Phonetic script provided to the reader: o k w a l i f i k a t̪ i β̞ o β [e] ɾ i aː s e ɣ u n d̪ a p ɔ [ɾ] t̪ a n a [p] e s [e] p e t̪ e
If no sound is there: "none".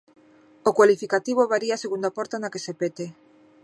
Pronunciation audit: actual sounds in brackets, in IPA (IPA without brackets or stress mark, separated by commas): a, ɾ, k, e